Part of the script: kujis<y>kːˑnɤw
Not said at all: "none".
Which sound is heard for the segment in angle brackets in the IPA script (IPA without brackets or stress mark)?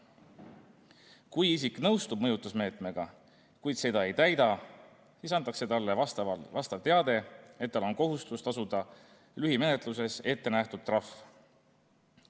i